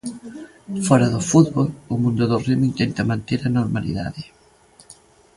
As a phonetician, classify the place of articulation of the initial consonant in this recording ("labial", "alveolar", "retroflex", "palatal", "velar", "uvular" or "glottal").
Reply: labial